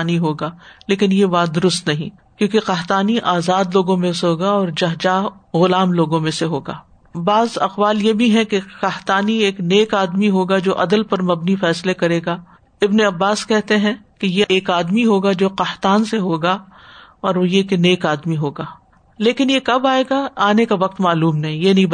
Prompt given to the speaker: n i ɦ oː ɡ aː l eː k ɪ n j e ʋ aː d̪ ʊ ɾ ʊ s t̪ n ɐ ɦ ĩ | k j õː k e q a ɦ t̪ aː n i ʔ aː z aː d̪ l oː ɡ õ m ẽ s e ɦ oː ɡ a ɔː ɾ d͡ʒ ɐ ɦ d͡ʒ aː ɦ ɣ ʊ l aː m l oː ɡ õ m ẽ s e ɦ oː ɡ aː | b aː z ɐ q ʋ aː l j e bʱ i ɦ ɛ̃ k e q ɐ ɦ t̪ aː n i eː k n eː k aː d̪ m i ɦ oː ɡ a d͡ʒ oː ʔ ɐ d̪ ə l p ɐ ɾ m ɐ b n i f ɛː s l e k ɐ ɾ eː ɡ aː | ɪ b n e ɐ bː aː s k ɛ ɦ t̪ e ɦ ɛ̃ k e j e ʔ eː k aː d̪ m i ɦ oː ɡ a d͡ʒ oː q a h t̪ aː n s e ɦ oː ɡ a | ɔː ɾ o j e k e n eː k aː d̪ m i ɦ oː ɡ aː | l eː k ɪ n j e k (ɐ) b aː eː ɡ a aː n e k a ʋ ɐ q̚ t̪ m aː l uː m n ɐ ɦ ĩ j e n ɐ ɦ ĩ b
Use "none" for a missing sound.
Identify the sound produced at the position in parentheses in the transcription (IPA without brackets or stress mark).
ɐ